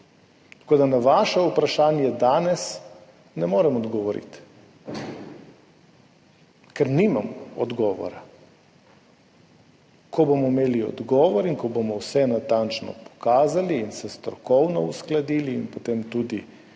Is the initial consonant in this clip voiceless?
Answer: yes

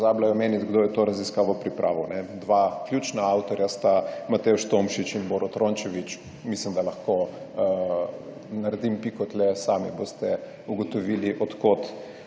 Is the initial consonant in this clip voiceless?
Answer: no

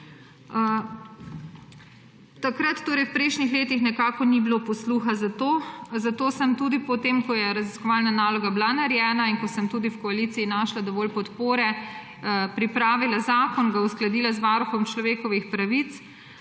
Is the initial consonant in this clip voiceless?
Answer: yes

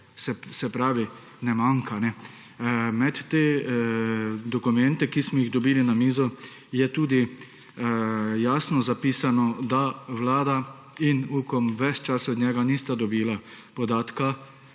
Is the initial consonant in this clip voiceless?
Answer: yes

